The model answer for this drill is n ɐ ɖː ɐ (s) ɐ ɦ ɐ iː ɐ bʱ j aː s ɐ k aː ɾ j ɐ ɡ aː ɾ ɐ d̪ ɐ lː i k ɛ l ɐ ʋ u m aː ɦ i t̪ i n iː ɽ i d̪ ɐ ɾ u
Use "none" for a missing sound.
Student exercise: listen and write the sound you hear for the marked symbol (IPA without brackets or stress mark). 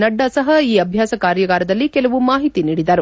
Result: s